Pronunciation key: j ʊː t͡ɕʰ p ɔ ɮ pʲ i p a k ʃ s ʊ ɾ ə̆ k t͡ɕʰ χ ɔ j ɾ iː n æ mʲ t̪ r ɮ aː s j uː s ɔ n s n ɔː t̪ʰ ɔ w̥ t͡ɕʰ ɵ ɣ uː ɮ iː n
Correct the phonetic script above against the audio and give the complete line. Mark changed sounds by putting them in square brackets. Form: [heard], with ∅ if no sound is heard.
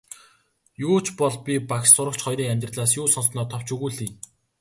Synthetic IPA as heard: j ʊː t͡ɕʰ p ɔ ɮ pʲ i p a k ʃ s ʊ ɾ ə̆ k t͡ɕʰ χ ɔ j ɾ iː [ŋ] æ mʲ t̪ r ɮ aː s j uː s ɔ n s n ɔː t̪ʰ ɔ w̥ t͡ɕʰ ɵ ɣ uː ɮ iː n